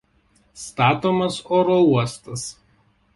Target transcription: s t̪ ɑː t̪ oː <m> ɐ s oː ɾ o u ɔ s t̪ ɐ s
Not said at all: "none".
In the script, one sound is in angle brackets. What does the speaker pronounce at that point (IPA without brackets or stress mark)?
m